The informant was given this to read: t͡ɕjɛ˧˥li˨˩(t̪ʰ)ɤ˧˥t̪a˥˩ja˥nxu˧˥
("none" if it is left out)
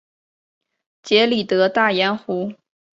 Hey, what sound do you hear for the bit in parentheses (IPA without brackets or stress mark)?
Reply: t̪